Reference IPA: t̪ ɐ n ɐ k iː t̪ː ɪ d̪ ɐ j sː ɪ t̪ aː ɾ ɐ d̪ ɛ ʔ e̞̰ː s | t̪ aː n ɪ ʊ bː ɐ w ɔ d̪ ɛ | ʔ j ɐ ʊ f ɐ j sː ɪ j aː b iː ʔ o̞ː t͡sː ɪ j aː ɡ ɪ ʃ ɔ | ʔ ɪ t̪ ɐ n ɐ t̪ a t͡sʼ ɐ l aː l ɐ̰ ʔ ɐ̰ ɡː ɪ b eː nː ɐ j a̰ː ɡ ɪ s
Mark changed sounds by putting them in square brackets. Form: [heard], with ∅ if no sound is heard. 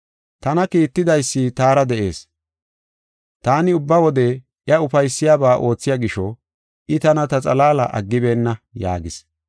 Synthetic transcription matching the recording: t̪ ɐ n ɐ k iː t̪ː ɪ d̪ ɐ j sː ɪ t̪ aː ɾ ɐ d̪ ɛ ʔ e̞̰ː s | t̪ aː n ɪ ʊ bː ɐ w ɔ d̪ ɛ | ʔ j ɐ ʊ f ɐ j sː ɪ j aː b [aː] ʔ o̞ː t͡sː ɪ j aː ɡ ɪ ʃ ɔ | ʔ ɪ t̪ ɐ n ɐ t̪ [ɐ] t͡sʼ ɐ l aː l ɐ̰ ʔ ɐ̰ ɡː ɪ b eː nː ɐ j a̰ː ɡ ɪ s